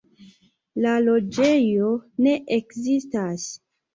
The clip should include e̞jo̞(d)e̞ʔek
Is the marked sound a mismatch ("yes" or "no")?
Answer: yes